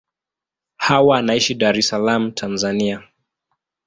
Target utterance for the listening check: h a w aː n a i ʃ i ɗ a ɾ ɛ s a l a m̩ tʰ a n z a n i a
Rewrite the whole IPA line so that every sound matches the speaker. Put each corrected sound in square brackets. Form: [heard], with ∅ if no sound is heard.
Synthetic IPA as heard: h a w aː n a i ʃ i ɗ a ɾ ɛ s a l a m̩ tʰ a n z a n i a